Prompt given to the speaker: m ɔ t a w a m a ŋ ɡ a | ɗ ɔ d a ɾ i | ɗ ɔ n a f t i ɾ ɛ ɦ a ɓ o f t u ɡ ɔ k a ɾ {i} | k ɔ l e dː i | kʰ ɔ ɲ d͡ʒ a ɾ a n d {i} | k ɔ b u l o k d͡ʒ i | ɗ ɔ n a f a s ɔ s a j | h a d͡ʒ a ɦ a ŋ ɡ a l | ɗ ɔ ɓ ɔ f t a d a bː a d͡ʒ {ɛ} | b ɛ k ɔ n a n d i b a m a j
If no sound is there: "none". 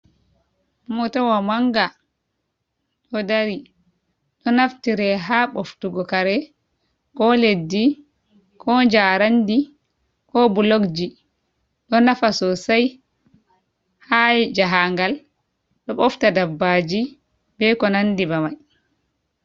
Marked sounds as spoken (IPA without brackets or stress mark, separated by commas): ɛ, i, i